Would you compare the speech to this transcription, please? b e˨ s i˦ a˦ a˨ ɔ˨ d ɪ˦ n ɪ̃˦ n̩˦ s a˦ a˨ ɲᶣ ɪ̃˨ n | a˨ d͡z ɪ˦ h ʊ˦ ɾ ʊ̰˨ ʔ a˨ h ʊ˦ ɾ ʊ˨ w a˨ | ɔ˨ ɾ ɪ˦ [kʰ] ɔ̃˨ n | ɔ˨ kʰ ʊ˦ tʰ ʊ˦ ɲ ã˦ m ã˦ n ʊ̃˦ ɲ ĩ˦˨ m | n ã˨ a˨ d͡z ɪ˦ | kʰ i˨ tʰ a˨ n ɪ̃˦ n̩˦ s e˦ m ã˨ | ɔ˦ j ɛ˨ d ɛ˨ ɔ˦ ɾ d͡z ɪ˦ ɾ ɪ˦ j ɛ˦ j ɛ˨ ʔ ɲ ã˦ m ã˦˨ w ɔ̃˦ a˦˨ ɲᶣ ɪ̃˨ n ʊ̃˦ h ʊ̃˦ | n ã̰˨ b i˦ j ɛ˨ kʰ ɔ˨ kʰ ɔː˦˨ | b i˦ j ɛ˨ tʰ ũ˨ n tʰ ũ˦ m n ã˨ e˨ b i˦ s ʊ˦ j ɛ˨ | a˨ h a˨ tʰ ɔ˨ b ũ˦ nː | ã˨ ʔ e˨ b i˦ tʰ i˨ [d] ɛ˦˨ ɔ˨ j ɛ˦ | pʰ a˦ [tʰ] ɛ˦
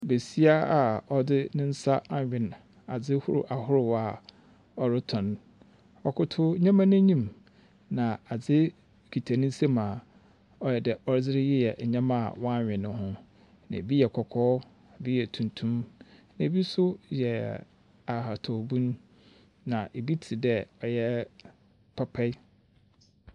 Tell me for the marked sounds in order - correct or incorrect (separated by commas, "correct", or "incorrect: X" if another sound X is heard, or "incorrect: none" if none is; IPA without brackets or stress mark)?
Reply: incorrect: tʰ, correct, incorrect: pʰ